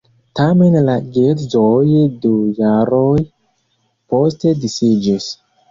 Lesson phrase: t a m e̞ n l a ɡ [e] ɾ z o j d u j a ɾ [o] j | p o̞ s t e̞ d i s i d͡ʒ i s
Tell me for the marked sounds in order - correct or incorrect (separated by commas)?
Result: correct, correct